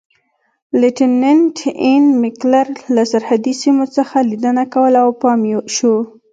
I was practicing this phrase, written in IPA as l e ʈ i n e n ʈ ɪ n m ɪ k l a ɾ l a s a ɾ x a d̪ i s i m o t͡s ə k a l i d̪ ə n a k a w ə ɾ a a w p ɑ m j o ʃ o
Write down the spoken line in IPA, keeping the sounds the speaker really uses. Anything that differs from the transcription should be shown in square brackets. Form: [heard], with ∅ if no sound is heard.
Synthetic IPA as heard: l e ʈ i n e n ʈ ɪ n m ɪ k l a ɾ l a s a ɾ [h] a d̪ i s i m o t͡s ə [x] a l i d̪ ə n a k a w ə [l] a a w p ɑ m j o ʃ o